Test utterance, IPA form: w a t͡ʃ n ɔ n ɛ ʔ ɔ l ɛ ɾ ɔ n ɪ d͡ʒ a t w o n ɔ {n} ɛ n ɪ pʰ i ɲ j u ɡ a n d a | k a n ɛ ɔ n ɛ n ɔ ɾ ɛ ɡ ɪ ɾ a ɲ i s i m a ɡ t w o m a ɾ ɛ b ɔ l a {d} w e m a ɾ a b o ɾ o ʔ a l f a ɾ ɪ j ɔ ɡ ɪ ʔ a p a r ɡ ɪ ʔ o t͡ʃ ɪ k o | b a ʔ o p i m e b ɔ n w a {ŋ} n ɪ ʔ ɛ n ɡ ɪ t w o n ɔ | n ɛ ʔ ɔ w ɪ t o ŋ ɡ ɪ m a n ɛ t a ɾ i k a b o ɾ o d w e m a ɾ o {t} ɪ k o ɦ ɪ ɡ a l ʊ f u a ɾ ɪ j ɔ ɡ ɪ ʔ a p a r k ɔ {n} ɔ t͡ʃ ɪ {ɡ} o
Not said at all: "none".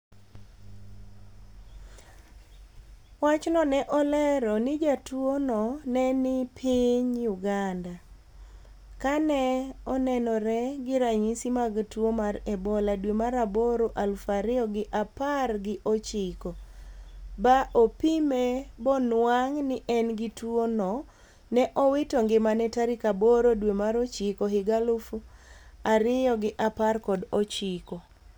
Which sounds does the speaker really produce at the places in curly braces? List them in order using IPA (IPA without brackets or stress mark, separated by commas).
n, d, ŋ, t͡ʃ, d, k